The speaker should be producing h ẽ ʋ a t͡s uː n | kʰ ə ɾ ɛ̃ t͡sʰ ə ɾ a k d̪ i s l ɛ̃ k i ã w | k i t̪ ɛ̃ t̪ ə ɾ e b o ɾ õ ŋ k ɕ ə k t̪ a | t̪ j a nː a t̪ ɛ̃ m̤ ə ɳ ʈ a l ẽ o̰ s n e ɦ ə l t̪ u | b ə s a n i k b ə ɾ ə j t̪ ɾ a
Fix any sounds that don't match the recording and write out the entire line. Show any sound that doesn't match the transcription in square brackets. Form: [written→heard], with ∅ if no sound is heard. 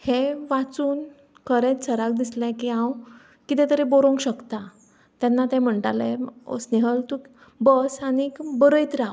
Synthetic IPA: h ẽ ʋ a t͡s uː n | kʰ ə ɾ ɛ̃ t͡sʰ ə ɾ a k d̪ i s l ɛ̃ k i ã w | k i t̪ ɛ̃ t̪ ə ɾ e b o ɾ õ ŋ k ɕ ə k t̪ a | t̪ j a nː a t̪ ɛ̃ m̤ ə ɳ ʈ a l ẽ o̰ s n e ɦ ə l t̪ u | b ə s a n i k b ə ɾ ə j t̪ ɾ a